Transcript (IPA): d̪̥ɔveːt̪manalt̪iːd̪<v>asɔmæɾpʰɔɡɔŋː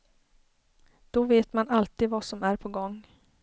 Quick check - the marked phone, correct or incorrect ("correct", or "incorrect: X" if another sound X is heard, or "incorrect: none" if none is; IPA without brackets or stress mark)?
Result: correct